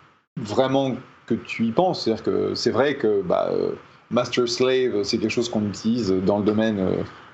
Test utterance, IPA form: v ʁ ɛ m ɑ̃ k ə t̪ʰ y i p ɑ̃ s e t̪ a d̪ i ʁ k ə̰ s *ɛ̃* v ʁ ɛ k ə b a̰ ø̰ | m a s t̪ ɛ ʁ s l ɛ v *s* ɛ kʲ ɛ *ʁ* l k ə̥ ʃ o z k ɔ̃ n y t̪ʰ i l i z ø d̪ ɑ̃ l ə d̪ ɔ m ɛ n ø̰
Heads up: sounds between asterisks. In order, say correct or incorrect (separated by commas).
incorrect, correct, incorrect